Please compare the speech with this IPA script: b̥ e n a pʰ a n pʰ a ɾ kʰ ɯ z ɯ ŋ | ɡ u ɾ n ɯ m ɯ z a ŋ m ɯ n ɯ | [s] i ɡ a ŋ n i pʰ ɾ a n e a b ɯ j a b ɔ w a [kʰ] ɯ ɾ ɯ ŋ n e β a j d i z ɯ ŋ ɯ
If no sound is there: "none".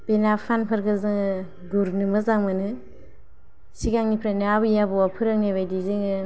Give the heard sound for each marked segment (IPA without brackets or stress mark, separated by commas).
s, pʰ